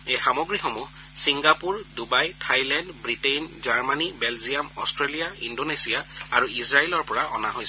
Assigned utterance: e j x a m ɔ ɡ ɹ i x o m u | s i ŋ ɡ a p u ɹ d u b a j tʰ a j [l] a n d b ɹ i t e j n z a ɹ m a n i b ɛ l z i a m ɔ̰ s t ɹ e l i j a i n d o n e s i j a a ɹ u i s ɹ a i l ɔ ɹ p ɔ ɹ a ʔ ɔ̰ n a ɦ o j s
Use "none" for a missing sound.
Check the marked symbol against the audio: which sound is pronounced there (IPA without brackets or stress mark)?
l